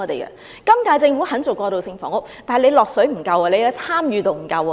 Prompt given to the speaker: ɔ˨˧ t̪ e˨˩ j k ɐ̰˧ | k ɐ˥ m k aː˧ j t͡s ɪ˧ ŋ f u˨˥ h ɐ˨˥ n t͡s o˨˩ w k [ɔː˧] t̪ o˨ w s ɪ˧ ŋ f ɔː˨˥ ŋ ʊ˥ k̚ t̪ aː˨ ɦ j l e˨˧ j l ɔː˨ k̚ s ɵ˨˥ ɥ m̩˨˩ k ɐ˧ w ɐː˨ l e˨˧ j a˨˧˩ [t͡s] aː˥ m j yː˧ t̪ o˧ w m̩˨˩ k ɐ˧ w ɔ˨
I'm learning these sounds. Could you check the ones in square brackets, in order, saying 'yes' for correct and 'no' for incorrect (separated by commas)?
yes, no